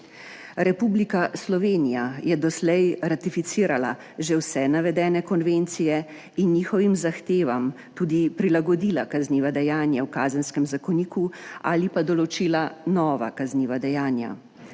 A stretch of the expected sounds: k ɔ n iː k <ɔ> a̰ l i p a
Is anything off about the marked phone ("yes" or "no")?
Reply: yes